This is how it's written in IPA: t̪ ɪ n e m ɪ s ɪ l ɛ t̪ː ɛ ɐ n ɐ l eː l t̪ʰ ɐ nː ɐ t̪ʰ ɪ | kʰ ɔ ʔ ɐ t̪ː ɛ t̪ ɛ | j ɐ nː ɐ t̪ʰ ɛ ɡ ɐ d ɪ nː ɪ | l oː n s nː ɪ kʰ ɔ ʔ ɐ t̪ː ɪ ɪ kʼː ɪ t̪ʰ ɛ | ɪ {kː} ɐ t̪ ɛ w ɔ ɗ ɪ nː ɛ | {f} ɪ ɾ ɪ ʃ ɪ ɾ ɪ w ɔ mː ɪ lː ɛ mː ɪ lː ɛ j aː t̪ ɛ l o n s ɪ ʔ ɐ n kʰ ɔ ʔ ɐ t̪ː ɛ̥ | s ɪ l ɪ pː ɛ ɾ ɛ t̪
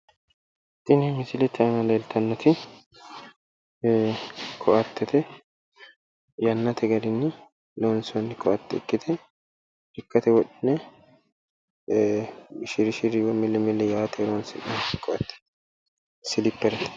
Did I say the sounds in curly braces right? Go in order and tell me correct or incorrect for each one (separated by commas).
correct, incorrect